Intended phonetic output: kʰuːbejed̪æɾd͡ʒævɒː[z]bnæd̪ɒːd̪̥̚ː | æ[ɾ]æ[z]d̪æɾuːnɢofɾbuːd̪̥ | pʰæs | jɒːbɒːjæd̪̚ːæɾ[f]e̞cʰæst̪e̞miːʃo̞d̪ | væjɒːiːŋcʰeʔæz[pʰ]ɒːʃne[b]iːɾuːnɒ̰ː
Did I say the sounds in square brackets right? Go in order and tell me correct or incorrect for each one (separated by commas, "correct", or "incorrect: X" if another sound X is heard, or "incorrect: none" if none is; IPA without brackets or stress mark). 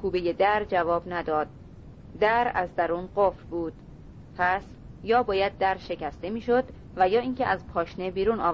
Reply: incorrect: none, correct, correct, incorrect: ʃ, correct, correct